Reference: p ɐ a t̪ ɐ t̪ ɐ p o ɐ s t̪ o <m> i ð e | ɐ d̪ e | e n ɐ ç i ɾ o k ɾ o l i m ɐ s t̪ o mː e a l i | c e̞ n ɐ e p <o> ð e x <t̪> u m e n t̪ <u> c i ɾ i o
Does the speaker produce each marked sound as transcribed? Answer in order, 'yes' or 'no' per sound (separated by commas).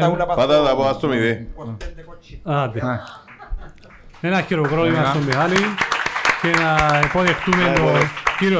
yes, yes, yes, no